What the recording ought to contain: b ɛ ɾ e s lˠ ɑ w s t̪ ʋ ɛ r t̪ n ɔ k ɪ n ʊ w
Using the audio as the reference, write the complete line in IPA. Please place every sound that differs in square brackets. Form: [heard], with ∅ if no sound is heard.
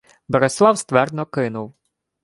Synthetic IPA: b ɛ ɾ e s lˠ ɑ w s t̪ ʋ ɛ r [d̪] n ɔ k ɪ n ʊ w